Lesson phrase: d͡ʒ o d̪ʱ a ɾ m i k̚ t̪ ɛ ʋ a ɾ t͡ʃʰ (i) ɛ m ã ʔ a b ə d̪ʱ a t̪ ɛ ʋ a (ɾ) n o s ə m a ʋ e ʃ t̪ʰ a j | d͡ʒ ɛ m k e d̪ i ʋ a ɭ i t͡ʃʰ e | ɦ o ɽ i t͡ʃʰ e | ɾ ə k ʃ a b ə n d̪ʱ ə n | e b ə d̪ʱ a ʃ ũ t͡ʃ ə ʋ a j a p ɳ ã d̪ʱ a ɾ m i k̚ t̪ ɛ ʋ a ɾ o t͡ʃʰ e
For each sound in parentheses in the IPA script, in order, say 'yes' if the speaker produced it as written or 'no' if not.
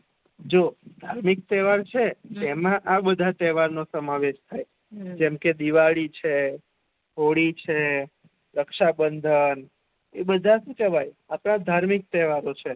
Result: no, yes

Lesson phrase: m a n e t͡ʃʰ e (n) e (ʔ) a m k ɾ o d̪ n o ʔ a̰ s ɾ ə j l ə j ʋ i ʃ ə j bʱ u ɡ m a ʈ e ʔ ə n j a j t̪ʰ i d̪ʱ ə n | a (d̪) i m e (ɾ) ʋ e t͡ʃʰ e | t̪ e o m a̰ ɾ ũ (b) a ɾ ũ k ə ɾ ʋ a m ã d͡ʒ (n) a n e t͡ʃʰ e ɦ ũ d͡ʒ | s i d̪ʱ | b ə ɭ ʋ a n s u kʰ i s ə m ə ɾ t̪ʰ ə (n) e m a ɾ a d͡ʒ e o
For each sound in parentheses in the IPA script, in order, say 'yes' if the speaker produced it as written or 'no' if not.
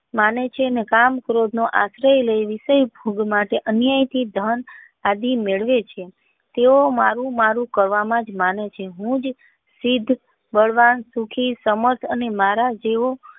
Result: yes, no, yes, no, no, no, yes

